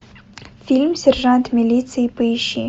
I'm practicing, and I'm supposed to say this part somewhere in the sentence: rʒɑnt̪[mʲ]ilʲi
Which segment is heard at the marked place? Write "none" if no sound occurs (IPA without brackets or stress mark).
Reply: mʲ